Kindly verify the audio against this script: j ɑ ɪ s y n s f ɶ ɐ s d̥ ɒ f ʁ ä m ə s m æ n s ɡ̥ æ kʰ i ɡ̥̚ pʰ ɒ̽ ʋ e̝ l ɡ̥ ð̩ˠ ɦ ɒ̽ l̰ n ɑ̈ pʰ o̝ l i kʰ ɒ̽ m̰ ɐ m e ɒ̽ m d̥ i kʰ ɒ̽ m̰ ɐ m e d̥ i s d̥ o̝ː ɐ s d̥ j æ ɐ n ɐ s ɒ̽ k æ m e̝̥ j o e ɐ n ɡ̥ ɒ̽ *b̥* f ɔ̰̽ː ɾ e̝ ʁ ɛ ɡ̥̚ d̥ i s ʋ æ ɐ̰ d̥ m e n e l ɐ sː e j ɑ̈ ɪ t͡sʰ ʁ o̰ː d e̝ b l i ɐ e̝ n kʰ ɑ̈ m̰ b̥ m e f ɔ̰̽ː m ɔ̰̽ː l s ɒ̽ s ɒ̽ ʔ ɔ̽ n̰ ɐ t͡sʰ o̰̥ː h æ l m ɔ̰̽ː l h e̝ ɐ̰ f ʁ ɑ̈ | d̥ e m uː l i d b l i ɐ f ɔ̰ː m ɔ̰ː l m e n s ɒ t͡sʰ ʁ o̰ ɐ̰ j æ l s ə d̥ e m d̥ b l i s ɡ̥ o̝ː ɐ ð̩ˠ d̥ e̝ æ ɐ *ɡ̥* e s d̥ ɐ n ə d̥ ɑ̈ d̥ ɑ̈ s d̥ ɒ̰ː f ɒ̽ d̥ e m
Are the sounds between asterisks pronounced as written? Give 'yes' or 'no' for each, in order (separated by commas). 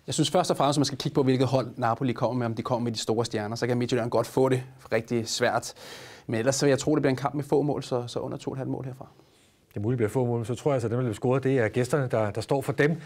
no, yes